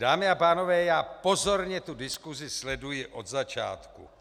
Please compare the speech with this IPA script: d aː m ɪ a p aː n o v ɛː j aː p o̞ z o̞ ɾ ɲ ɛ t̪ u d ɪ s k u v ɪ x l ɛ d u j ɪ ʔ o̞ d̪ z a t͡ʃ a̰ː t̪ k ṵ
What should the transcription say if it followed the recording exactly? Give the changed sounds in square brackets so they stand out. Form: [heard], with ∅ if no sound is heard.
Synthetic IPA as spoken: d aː m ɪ a p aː n o v ɛː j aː p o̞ z o̞ ɾ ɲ ɛ t̪ u d ɪ s k u [z] ɪ [s] l ɛ d u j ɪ ʔ o̞ d̪ z a t͡ʃ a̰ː t̪ k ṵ